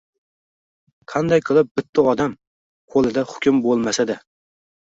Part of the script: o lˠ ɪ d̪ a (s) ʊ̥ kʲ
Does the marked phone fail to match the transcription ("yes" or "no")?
yes